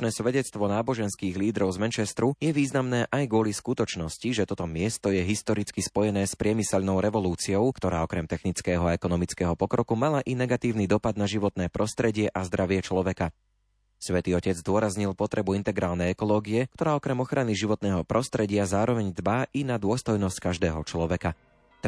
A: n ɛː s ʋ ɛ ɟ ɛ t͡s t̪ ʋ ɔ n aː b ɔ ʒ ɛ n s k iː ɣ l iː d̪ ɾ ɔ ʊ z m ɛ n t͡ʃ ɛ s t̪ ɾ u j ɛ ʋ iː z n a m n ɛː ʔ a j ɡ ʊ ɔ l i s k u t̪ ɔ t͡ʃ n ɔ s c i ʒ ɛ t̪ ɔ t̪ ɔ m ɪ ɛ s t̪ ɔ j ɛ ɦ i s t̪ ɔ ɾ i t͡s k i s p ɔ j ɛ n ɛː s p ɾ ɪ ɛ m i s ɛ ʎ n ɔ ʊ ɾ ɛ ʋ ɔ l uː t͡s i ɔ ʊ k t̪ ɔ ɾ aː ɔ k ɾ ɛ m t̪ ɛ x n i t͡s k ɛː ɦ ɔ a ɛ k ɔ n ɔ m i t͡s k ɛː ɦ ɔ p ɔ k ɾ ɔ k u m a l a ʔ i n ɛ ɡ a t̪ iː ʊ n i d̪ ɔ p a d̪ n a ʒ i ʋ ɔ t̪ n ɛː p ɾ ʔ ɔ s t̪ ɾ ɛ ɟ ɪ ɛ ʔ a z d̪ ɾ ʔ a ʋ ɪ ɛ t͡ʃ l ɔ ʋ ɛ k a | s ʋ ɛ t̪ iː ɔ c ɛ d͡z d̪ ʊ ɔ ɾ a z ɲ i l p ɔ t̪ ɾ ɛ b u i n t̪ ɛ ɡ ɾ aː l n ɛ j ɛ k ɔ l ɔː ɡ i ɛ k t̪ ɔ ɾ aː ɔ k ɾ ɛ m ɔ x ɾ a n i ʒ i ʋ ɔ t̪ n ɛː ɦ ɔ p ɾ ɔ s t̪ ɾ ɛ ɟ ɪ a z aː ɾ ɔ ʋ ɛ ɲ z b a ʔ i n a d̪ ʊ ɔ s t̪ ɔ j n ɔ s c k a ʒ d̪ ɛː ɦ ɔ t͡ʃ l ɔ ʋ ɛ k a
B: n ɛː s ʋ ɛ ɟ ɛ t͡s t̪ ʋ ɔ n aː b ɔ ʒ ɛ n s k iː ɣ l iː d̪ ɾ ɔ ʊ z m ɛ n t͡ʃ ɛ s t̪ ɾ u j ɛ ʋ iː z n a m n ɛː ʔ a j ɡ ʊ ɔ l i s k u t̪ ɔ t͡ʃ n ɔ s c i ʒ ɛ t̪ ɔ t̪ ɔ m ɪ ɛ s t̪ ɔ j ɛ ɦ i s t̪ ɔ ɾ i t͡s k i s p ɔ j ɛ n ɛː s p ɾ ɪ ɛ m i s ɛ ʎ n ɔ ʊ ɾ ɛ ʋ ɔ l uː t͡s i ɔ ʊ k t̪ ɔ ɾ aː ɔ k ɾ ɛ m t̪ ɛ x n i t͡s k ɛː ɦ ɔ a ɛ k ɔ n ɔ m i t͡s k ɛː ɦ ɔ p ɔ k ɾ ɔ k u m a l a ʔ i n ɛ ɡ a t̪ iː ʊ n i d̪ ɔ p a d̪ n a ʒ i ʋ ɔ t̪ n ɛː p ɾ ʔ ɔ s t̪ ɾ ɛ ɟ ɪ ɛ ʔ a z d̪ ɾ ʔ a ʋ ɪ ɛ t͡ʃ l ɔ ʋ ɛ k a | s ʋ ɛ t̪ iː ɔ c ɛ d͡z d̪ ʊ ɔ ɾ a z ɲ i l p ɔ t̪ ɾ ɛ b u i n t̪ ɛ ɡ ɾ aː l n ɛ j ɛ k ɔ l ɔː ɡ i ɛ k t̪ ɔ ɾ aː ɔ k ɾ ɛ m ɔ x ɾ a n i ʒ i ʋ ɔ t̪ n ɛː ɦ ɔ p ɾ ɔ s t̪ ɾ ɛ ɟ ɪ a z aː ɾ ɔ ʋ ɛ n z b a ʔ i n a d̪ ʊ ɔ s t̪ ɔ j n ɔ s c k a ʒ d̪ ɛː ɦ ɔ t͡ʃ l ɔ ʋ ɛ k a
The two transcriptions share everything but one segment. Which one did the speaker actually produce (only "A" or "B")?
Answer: A